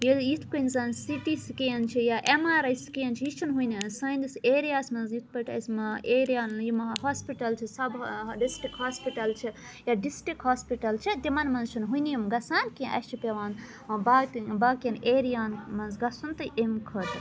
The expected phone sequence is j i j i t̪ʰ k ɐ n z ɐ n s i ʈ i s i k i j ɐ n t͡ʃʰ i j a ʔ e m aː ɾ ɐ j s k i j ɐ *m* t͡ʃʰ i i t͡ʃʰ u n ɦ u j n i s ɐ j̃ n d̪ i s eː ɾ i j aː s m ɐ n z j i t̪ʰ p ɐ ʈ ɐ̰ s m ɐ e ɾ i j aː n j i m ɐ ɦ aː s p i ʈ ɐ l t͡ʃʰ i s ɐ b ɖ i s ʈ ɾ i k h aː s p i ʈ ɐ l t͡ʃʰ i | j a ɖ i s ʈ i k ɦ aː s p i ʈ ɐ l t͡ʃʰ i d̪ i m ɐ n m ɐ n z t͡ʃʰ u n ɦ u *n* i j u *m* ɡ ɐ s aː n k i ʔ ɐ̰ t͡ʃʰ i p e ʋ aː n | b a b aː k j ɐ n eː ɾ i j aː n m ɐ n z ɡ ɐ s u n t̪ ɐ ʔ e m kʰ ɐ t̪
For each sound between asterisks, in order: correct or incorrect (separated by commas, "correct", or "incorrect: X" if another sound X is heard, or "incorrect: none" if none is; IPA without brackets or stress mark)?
incorrect: n, correct, correct